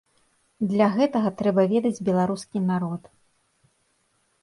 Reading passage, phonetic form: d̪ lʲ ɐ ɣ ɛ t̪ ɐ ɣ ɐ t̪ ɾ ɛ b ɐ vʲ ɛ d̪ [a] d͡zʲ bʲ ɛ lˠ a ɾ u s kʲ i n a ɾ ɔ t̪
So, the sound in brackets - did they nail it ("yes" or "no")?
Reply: no